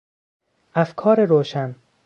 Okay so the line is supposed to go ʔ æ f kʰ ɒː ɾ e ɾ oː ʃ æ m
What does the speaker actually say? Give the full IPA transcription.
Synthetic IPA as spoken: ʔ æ f kʰ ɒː ɾ e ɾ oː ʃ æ n